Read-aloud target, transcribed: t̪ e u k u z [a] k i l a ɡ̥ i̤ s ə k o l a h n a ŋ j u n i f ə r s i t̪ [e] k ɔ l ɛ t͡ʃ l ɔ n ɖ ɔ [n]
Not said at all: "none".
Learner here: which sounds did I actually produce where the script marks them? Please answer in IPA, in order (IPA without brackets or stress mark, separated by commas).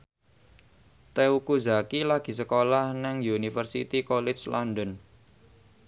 a, i, n